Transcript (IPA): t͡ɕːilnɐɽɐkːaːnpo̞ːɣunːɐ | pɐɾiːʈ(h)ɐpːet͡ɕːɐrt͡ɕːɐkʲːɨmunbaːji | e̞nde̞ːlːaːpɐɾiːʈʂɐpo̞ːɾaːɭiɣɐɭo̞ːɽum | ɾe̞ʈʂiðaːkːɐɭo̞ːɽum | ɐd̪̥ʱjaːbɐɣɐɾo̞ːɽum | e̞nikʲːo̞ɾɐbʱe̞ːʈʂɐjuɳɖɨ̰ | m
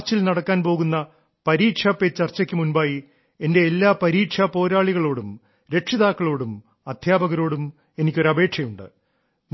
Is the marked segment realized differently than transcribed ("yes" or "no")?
yes